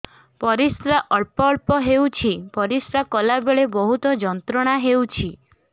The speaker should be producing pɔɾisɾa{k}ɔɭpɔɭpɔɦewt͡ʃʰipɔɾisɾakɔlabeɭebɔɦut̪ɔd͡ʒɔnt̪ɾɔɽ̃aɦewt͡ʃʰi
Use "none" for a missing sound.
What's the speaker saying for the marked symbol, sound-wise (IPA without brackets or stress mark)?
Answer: ʔ